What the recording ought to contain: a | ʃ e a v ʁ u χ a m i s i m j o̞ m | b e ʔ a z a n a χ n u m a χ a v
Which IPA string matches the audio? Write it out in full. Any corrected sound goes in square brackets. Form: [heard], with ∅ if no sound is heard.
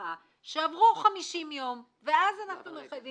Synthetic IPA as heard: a | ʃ e a v ʁ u χ a m i [ʃ] i m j o̞ m | [v] e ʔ a z a n a χ n u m [e] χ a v